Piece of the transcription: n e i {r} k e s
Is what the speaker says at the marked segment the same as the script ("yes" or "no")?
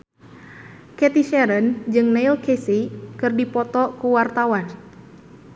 no